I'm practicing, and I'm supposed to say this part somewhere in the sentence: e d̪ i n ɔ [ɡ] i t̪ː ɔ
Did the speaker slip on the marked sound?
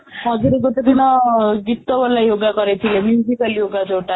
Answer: no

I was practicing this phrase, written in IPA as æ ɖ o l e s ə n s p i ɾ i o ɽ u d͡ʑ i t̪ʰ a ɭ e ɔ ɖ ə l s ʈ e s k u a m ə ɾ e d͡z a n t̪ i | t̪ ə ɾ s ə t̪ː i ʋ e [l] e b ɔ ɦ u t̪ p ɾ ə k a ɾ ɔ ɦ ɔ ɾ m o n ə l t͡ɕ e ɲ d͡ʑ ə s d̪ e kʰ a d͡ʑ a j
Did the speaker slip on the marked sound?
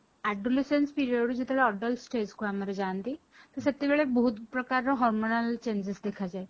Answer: yes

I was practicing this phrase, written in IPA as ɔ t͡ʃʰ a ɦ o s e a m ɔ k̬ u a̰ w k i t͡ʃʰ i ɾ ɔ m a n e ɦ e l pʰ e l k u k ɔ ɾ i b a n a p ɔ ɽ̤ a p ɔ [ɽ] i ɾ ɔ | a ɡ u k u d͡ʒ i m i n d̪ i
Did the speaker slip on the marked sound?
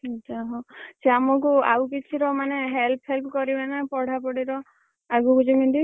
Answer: no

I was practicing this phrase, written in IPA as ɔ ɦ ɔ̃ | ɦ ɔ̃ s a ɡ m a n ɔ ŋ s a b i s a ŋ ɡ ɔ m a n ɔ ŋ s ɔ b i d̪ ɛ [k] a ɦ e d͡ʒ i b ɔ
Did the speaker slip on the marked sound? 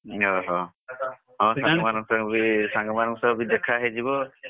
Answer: yes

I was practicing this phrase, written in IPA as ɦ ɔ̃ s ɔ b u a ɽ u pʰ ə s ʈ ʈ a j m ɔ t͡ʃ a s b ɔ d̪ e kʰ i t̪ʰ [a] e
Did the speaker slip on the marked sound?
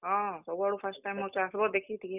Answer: yes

